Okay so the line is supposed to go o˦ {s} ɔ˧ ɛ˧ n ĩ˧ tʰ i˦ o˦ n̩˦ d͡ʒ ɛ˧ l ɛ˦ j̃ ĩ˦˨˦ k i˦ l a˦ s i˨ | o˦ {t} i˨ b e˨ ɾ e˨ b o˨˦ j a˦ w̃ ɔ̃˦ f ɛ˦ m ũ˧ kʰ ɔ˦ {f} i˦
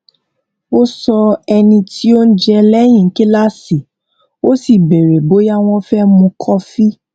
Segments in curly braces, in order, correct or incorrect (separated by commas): correct, incorrect, correct